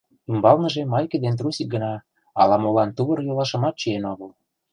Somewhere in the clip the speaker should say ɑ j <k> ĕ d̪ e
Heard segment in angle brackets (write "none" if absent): k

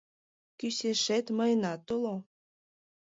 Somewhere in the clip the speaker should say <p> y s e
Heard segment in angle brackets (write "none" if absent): k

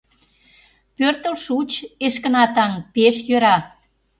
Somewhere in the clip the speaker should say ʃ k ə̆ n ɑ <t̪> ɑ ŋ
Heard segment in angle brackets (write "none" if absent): t̪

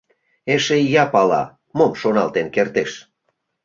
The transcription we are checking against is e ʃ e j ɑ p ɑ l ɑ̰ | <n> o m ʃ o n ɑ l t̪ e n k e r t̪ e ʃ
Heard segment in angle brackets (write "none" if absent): m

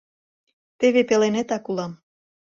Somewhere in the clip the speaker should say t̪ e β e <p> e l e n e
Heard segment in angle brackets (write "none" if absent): p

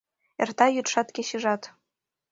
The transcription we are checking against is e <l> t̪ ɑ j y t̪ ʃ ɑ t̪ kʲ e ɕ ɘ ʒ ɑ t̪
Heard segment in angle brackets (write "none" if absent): r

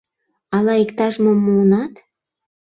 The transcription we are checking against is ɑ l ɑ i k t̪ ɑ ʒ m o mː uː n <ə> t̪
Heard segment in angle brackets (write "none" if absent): ɑ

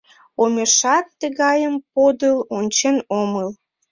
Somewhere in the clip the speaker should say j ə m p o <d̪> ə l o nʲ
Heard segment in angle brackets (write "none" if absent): d̪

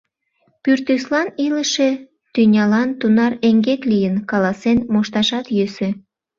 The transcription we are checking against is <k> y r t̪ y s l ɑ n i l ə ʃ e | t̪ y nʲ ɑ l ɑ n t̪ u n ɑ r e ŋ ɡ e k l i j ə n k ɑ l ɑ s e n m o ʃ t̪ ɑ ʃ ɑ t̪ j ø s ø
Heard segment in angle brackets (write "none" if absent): p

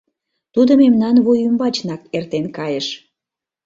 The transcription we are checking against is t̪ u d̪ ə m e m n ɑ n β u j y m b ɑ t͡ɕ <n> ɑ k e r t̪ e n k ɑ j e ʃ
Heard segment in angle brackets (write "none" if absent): n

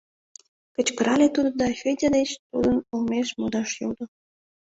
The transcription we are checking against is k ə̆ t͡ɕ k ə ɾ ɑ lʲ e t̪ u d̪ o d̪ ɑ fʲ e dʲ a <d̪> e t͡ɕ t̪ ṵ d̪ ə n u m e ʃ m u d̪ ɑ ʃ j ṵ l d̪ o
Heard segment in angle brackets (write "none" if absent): d̪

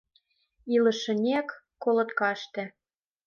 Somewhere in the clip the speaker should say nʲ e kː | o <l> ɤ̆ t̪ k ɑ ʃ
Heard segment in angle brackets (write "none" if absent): l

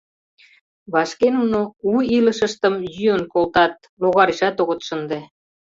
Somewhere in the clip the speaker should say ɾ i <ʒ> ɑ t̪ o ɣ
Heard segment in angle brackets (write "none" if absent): ʃ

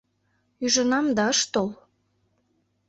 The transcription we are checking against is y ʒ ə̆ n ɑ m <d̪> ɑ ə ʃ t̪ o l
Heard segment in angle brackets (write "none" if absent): d̪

